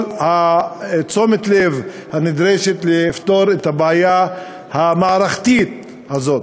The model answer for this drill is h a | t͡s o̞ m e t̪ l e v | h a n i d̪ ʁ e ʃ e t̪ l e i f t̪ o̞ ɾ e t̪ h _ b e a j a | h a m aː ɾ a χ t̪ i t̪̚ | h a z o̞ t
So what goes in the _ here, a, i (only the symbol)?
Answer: a